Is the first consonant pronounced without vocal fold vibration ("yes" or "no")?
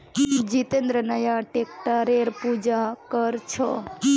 no